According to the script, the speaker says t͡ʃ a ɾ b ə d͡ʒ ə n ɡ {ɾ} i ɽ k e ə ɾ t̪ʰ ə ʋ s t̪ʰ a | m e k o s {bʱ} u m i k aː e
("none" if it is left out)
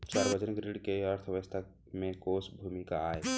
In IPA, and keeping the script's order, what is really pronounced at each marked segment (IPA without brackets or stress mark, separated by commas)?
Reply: ɾ, bʱ